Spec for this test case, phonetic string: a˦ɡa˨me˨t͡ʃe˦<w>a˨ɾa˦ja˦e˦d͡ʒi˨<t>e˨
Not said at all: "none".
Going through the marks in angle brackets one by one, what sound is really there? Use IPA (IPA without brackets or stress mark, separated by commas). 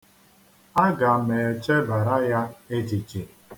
b, t͡ʃ